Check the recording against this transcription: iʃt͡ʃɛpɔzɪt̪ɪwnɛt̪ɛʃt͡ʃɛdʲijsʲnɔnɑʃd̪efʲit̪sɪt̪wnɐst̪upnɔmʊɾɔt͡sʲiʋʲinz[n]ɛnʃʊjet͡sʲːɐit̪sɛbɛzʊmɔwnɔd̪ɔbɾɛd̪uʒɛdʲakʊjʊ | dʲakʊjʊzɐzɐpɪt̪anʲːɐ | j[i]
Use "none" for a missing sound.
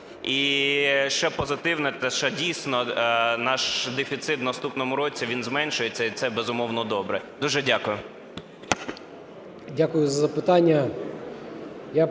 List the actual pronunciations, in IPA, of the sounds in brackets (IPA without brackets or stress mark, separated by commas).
m, a